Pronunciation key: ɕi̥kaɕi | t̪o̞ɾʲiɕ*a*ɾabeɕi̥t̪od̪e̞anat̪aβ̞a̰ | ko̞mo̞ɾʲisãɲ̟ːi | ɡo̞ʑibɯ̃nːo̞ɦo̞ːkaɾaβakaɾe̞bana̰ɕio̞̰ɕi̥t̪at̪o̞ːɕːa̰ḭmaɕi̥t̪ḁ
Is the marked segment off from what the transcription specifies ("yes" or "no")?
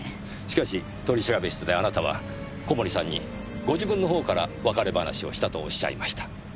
yes